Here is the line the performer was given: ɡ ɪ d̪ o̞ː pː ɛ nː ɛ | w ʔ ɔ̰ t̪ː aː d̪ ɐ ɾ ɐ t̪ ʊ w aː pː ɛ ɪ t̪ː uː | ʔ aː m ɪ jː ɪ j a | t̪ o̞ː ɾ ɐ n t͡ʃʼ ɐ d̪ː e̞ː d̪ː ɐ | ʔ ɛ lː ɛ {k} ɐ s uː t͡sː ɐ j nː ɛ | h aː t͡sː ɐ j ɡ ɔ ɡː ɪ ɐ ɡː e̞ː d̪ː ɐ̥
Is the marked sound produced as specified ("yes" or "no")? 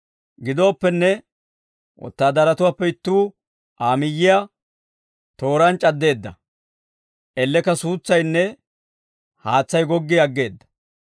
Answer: yes